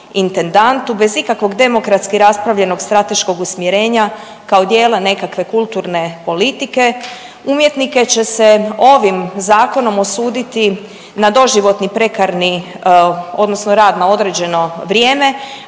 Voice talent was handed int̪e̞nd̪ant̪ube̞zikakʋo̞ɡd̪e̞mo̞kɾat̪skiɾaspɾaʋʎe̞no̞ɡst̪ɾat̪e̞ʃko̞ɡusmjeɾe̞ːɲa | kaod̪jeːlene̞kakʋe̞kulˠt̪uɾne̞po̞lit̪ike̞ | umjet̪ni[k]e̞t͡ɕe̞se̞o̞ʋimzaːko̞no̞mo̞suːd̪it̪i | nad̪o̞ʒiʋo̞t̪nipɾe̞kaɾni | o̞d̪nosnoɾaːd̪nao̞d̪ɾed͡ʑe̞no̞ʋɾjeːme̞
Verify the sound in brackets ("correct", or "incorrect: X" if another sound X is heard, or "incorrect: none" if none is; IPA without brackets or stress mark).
correct